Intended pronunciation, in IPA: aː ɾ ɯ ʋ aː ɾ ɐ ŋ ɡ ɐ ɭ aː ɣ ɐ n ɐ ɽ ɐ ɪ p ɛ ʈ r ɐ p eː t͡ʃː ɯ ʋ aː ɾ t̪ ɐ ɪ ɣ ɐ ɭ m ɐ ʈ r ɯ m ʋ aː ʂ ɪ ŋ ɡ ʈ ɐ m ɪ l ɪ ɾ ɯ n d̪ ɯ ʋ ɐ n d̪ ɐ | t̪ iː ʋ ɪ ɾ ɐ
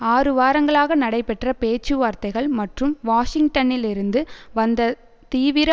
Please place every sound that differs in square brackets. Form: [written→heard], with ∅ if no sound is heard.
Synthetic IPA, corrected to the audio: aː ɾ ɯ ʋ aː ɾ ɐ ŋ ɡ ɐ ɭ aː ɣ ɐ n ɐ ɽ ɐ ɪ p ɛ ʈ r ɐ p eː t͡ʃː ɯ ʋ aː ɾ t̪ ɐ ɪ ɣ ɐ ɭ m ɐ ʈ r ɯ m ʋ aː ʂ ɪ ŋ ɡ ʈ ɐ [m→n] ɪ l ɪ ɾ ɯ n d̪ ɯ ʋ ɐ n d̪ ɐ | t̪ iː ʋ ɪ ɾ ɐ